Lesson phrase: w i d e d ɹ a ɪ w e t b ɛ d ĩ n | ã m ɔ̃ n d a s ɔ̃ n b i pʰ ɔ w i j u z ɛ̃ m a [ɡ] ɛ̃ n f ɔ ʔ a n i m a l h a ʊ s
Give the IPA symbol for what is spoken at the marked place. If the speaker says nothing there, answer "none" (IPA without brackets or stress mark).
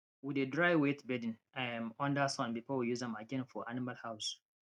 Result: ɡ